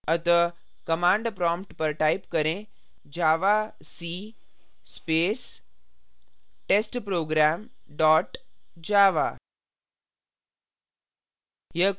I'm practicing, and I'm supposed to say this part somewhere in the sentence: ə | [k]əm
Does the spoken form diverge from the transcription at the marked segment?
no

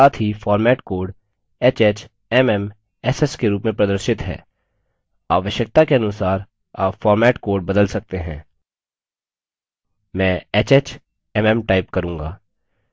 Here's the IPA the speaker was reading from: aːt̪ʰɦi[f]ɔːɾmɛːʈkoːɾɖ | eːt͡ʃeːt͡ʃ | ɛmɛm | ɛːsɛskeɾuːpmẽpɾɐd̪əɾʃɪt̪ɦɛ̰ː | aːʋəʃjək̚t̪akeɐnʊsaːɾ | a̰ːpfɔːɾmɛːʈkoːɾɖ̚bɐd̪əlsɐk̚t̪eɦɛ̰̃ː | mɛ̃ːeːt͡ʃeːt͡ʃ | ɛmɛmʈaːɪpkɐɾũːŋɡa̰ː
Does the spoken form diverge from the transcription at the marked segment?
no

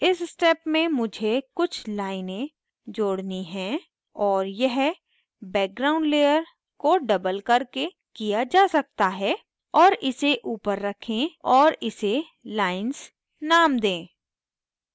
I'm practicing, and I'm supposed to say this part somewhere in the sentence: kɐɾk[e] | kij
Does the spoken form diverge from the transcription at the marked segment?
no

